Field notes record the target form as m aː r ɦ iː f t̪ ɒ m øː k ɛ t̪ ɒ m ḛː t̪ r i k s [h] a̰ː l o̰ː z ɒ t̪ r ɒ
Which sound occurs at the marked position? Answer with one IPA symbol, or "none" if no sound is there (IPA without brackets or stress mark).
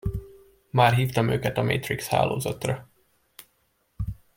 h